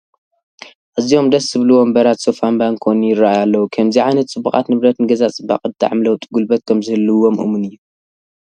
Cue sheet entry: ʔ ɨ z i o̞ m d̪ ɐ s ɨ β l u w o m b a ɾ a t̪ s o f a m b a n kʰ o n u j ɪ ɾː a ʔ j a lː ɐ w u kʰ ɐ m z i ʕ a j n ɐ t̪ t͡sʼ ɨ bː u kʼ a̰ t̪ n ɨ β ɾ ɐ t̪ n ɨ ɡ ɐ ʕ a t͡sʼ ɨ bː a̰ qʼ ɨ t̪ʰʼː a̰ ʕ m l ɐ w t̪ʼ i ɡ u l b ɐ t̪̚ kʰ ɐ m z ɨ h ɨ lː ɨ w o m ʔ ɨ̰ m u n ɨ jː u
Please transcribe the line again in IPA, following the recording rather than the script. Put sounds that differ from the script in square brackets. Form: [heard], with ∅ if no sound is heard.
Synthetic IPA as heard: ʔ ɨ z i o̞ m d̪ ɐ s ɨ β l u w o m b [ɐ] ɾ a t̪ s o f a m b a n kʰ o n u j ɪ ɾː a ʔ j a lː ɐ w u kʰ ɐ m z i ʕ a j n ɐ t̪ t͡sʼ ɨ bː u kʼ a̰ t̪ n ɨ β ɾ ɐ t̪ n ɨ ɡ ɐ [z] a t͡sʼ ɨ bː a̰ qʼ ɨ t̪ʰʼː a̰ ʕ m l ɐ w t̪ʼ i ɡ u l b ɐ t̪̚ kʰ ɐ m z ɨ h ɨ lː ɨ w o m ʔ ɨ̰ m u n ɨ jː u